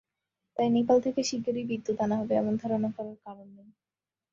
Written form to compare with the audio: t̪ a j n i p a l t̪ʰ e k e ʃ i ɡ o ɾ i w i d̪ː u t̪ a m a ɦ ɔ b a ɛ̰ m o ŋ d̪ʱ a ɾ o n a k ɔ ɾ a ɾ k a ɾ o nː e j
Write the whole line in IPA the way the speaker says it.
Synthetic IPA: t̪ a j n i p a l t̪ʰ e k e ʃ i ɡ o ɾ i b i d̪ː u t̪ a n a ɦ ɔ b e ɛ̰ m o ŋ d̪ʱ a ɾ o n a k ɔ ɾ a ɾ k a ɾ o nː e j